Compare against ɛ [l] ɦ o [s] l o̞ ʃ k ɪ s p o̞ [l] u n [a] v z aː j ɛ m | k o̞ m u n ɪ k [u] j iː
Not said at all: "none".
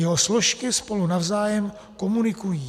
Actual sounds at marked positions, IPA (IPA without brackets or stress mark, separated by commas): none, s, l, a, u